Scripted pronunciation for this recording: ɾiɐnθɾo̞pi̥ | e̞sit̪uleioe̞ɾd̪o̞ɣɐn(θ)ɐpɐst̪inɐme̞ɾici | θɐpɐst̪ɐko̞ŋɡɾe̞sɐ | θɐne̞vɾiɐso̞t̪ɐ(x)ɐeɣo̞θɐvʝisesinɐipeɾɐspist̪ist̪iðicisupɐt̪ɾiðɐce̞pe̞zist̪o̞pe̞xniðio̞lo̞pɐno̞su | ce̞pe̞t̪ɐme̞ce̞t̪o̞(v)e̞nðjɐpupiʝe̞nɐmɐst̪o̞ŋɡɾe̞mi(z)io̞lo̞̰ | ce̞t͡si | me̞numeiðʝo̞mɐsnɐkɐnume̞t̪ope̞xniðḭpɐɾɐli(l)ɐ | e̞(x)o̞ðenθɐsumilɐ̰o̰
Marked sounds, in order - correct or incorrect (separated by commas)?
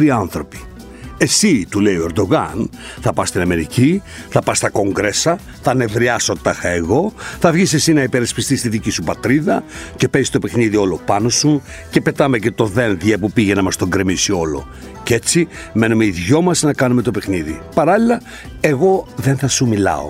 correct, correct, incorrect, incorrect, correct, incorrect